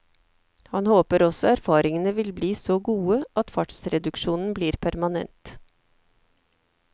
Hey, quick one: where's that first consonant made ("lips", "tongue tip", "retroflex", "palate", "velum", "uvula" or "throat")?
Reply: throat